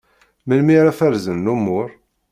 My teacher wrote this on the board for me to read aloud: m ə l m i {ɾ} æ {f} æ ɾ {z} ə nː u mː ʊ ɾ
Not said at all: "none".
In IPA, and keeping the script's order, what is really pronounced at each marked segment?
ɾ, f, z

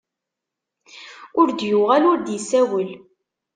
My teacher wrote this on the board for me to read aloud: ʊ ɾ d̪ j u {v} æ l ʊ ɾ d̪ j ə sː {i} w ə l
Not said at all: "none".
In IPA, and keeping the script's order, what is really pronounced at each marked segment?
ʁ, æ

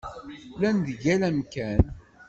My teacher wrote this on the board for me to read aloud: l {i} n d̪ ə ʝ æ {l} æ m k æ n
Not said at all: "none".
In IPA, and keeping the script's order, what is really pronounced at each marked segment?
æ, l

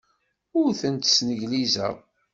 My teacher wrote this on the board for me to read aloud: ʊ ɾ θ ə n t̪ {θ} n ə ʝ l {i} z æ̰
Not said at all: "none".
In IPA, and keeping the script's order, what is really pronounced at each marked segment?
s, i

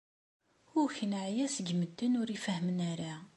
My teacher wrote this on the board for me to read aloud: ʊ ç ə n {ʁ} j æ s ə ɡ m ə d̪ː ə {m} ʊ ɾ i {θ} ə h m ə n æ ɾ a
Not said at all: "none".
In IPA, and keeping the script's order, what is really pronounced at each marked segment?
ʕ, n, f

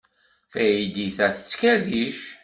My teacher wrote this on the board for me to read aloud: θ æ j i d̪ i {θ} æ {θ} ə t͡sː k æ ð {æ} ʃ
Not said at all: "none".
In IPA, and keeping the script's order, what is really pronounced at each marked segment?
θ, θ, i

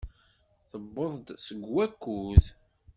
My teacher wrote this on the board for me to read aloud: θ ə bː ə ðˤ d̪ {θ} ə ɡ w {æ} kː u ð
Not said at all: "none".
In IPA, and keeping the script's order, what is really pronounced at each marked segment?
s, æ

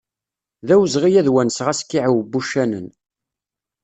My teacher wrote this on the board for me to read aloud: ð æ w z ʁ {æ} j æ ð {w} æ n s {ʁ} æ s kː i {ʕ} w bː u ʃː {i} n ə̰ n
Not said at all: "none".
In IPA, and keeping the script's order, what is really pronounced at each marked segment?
i, w, ʁ, ʕ, æ

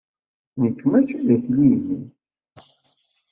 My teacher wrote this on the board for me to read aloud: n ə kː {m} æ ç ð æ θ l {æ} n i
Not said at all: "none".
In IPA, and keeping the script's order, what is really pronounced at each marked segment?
m, i

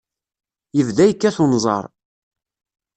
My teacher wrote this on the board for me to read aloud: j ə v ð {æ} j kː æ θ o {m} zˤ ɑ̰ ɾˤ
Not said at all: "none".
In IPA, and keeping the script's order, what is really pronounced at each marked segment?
æ, n

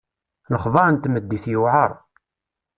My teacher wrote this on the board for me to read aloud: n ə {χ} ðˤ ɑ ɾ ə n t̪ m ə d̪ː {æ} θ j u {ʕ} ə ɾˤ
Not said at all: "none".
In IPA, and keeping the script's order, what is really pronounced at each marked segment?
χ, i, ʕ

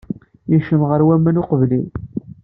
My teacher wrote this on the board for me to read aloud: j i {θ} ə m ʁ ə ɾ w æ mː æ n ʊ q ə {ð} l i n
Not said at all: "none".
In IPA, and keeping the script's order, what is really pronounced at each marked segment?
ʃ, v

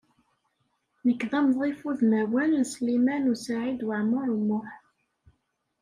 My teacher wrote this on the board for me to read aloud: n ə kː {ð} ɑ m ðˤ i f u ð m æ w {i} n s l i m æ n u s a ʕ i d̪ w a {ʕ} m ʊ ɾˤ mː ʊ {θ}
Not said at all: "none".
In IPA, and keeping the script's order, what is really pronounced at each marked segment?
ð, æ, ʕ, ħ

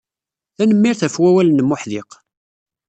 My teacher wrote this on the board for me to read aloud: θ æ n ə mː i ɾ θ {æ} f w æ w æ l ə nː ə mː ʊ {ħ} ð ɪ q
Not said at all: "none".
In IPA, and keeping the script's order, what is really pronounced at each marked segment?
æ, ħ

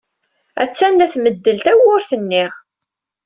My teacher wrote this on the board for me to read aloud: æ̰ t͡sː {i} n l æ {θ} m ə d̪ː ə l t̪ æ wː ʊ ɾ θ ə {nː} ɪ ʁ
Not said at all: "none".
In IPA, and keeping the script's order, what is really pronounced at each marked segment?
æ, θ, nː

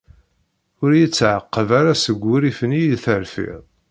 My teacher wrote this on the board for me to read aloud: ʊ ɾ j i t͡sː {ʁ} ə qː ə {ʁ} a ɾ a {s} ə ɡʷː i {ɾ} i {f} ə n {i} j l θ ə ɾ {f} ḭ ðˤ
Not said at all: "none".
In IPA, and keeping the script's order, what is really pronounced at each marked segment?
ʕ, v, s, ɾ, f, i, f

